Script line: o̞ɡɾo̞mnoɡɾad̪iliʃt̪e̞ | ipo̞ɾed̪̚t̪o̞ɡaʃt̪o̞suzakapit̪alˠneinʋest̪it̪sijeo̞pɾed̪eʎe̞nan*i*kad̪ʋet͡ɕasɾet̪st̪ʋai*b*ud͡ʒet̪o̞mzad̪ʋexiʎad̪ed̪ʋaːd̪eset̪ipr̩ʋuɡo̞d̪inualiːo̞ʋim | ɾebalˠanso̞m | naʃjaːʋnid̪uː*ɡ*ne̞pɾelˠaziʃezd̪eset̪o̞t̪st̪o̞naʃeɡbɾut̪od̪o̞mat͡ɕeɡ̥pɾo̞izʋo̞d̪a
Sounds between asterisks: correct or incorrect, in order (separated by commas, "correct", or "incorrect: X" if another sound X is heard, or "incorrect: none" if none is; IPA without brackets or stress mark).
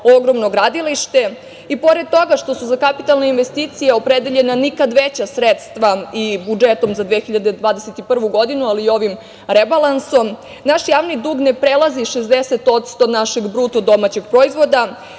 correct, correct, correct